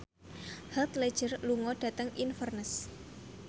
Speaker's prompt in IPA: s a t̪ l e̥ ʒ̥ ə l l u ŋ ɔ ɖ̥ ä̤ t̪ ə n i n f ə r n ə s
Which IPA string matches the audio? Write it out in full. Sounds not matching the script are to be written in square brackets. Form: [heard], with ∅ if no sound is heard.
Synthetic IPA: [h] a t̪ l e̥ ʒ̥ ə [r] l u ŋ ɔ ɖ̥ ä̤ t̪ ə [ŋ] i n f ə r n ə s